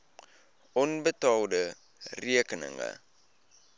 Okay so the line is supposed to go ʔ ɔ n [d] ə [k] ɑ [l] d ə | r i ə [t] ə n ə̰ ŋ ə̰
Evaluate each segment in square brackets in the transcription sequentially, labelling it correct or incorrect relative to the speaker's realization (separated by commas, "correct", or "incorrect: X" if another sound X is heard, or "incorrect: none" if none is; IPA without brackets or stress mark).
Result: incorrect: b, incorrect: t, correct, incorrect: k